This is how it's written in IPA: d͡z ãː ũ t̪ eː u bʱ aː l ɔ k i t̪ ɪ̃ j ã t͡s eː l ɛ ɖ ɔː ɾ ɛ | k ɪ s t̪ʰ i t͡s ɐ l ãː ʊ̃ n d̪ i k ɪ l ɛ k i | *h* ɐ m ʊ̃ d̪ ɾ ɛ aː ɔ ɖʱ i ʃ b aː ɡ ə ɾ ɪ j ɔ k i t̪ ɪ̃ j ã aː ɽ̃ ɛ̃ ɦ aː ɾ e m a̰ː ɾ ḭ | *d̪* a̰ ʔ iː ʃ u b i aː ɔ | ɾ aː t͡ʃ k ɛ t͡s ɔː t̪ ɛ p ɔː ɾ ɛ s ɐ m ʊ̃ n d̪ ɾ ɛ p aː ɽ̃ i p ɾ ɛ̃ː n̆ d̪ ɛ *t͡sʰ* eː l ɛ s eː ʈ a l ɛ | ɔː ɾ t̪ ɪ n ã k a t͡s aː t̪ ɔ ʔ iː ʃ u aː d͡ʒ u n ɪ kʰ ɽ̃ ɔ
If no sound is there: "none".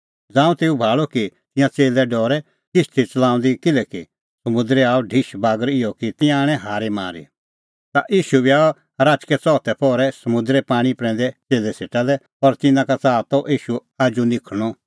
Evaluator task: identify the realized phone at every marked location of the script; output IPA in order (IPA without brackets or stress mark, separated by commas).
s, t̪, t͡s